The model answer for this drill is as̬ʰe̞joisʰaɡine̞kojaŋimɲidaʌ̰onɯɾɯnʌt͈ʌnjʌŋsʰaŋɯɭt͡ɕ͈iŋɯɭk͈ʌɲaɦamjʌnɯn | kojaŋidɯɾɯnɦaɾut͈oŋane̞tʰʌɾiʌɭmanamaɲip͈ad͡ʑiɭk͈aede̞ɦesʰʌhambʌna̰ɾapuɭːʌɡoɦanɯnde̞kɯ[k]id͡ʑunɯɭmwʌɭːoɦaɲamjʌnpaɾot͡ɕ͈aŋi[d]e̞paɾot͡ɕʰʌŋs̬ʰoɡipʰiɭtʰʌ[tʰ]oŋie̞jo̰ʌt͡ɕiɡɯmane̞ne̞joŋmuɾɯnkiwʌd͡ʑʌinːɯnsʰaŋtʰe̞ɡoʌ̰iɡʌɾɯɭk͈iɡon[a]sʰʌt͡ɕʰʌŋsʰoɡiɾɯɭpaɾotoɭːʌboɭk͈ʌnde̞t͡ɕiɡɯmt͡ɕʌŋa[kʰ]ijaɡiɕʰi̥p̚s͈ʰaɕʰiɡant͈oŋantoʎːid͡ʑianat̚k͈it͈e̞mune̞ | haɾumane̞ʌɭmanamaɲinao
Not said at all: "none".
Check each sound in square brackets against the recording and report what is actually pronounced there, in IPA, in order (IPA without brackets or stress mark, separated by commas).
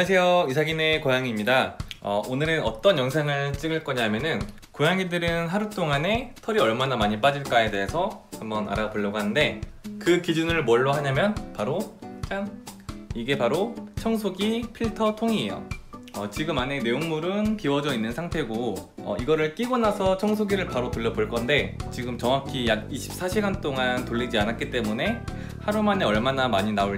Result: k, ɡ, tʰ, a, kʰ